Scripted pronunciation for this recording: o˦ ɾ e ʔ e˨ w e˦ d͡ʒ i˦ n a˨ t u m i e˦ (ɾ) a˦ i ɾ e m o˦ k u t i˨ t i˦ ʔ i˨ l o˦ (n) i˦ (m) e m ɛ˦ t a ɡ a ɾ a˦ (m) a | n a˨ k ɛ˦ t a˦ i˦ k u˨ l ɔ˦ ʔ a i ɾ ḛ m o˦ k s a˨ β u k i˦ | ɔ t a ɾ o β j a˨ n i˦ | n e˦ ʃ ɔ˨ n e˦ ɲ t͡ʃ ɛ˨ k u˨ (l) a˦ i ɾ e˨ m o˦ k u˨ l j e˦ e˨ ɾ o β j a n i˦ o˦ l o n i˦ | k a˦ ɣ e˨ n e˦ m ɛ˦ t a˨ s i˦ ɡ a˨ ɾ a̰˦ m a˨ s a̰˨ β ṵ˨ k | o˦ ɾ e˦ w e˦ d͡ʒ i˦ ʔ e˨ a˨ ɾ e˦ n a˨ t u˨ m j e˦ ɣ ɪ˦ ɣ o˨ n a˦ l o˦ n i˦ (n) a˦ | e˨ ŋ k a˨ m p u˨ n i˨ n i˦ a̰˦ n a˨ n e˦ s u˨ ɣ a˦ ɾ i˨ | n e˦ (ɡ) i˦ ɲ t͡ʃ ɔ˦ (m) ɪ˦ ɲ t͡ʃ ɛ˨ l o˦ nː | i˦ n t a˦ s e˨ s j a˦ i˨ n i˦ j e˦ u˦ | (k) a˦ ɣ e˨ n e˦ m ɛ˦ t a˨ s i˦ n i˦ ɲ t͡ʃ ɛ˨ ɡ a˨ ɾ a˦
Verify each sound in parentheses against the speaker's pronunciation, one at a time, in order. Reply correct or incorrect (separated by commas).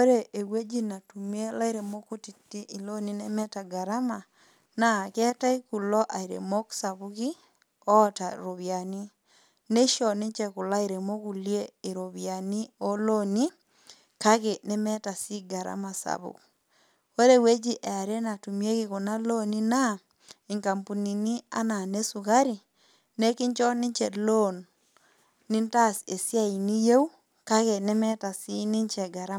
incorrect, correct, incorrect, correct, correct, correct, incorrect, incorrect, correct